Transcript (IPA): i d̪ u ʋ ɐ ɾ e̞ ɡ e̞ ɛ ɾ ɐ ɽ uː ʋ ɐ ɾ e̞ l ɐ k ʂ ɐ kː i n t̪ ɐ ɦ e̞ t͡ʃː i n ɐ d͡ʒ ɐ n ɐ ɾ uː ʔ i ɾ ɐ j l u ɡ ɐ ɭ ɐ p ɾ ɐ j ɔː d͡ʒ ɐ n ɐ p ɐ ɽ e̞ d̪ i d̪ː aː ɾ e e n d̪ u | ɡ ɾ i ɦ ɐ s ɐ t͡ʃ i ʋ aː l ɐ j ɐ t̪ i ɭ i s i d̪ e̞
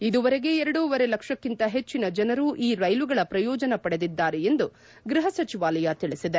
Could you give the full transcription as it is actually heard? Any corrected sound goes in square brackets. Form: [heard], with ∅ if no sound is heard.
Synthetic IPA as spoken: i d̪ u ʋ ɐ ɾ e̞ ɡ e̞ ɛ ɾ ɐ ɽ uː ʋ ɐ ɾ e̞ l ɐ k ʂ ɐ kː i n t̪ ɐ ɦ e̞ t͡ʃː i n ɐ d͡ʒ ɐ n ɐ ɾ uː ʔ [iː] ɾ ɐ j l u ɡ ɐ ɭ ɐ p ɾ ɐ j ɔː d͡ʒ ɐ n ɐ p ɐ ɽ e̞ d̪ i d̪ː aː ɾ e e n d̪ u | ɡ ɾ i ɦ ɐ s ɐ t͡ʃ i ʋ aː l ɐ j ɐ t̪ i ɭ i s i d̪ e̞